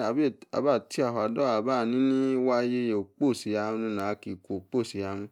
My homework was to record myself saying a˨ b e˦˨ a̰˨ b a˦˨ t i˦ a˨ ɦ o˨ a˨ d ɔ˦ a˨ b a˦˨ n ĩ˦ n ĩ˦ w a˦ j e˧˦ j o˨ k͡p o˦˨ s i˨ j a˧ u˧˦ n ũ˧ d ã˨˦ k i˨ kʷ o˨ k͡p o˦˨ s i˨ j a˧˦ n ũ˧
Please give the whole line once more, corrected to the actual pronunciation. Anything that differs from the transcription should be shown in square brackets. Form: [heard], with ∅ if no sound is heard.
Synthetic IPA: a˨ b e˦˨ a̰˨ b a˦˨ t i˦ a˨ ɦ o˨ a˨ d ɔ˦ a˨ b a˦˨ n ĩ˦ n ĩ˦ w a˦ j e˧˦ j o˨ k͡p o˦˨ s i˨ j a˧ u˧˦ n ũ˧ [n] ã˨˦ k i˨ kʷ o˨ k͡p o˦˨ s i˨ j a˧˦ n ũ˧